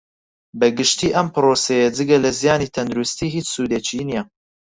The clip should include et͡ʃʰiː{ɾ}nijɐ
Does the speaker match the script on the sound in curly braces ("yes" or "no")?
no